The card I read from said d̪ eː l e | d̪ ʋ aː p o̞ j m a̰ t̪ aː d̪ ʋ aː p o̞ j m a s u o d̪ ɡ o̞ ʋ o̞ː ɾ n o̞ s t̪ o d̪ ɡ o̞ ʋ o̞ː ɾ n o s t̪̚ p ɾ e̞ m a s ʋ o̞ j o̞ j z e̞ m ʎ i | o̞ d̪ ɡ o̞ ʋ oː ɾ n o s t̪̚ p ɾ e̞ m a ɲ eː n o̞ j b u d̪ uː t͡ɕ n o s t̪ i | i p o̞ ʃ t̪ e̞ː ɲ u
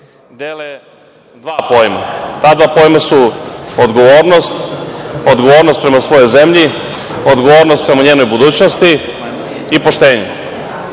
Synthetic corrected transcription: d̪ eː l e | d̪ ʋ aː p o̞ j m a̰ t̪ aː d̪ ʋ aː p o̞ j m a s u o d̪ ɡ o̞ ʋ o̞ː ɾ n o̞ s t̪ o d̪ ɡ o̞ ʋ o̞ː ɾ n o s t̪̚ p ɾ e̞ m a s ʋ o̞ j o̞ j z e̞ m ʎ i | o̞ d̪ ɡ o̞ ʋ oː ɾ n o s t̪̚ p ɾ e̞ m a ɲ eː n o̞ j b u d̪ uː t͡ɕ n o s t̪ i | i p o̞ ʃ t̪ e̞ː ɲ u